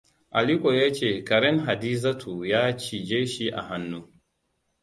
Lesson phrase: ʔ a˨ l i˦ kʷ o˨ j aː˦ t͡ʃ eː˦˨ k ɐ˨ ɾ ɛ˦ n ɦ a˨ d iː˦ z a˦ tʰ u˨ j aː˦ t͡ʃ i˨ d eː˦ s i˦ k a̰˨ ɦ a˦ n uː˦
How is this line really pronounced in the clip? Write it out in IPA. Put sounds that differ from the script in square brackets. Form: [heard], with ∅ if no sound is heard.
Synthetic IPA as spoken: ʔ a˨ l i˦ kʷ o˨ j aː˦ t͡ʃ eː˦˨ k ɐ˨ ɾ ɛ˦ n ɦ a˨ d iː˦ z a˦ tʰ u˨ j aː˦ t͡ʃ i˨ [d͡ʒ] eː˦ [ʃ] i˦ [ʔ] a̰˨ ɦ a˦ [nː] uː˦